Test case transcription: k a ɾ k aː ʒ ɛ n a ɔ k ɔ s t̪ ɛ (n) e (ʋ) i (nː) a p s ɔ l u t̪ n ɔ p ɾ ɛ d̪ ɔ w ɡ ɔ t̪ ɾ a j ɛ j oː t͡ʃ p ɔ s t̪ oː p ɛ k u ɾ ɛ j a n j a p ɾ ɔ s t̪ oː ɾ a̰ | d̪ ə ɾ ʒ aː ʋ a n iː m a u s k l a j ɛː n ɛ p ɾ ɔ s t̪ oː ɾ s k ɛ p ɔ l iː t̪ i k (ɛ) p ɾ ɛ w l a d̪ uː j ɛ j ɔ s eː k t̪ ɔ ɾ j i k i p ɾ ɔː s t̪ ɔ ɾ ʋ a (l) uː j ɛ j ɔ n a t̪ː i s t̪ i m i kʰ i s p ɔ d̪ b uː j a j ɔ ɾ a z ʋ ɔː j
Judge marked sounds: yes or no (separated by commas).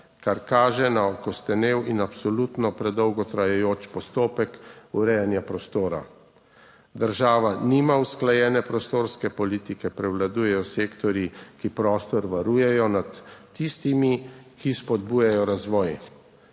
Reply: yes, no, no, yes, no